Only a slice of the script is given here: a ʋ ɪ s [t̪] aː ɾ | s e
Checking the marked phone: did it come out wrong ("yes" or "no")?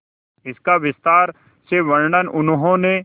no